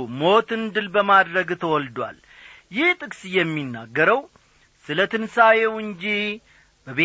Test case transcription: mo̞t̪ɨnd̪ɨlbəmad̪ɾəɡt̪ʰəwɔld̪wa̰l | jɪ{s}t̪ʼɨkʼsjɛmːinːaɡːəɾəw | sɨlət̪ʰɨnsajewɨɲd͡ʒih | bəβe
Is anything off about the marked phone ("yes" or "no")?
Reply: yes